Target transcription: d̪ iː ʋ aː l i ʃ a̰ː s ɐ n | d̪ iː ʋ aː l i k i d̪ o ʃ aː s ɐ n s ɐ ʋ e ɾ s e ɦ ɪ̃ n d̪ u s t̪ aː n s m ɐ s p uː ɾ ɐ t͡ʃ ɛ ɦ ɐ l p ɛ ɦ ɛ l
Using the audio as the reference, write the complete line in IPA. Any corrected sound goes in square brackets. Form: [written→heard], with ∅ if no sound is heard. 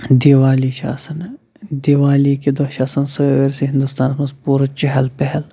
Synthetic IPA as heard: d̪ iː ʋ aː l i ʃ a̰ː s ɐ n | d̪ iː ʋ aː l i k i d̪ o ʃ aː s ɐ n s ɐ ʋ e ɾ s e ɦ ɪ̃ n d̪ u s t̪ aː n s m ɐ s p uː ɾ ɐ t͡ʃ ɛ ɦ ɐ l p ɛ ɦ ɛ l